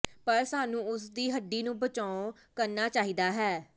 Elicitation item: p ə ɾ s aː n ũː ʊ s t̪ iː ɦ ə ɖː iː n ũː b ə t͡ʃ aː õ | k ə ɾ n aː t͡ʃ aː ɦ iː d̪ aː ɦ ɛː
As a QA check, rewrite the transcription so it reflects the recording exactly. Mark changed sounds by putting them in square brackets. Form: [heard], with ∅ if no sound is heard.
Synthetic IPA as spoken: p ə ɾ s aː n ũː ʊ s [d̪] iː ɦ ə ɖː iː n ũː b ə t͡ʃ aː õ | k ə ɾ n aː t͡ʃ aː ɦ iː d̪ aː ɦ ɛː